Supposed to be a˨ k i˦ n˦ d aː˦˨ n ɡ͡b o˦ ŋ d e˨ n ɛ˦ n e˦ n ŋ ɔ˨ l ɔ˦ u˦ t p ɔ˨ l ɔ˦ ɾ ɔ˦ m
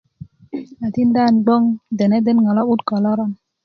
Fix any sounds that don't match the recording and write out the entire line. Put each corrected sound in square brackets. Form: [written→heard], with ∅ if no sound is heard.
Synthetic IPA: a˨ [k→t] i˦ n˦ d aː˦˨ n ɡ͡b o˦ ŋ d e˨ n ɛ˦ [n→d] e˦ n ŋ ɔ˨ l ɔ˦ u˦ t [p→k] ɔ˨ l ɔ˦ ɾ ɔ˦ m